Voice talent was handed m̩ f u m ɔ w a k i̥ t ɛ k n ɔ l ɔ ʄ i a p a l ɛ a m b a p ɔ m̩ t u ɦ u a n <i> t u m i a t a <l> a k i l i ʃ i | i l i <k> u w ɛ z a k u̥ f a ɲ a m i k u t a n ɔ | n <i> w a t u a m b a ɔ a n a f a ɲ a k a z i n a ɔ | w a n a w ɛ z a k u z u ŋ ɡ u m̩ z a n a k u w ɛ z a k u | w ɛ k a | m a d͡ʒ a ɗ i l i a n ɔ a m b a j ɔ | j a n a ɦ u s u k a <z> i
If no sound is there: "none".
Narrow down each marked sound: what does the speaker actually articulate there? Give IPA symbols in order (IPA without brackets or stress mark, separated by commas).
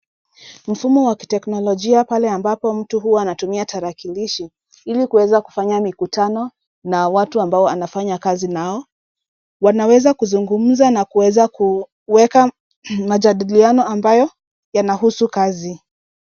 a, ɾ, k, a, z